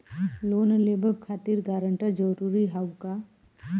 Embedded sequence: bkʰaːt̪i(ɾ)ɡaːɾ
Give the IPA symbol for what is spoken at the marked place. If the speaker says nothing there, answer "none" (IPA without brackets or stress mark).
ɾ